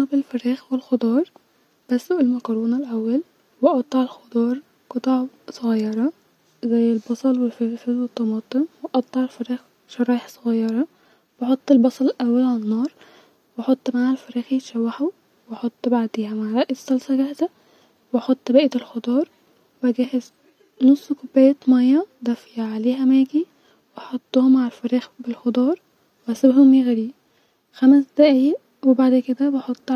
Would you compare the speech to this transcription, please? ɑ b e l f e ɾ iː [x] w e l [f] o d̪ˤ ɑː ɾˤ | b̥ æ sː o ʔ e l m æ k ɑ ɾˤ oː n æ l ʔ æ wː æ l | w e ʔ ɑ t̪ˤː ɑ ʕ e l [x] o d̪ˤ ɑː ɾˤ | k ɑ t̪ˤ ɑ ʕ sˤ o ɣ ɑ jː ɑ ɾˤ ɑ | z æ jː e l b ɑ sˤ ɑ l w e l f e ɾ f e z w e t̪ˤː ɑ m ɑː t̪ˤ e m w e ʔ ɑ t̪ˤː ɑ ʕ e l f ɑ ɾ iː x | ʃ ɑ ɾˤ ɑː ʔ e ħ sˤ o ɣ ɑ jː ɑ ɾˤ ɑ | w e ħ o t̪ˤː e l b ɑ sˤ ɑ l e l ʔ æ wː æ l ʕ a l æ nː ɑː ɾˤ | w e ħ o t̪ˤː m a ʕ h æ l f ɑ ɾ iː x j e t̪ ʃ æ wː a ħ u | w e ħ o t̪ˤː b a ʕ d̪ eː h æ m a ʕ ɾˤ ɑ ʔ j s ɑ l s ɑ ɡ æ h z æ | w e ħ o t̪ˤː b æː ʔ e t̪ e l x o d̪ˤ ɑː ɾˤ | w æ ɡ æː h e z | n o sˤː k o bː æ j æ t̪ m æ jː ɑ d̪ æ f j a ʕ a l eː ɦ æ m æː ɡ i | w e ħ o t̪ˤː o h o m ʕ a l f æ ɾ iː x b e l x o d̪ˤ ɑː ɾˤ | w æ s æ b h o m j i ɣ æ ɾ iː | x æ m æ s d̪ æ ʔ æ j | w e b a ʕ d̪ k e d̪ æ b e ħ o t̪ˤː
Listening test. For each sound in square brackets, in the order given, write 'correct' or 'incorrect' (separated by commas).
correct, incorrect, correct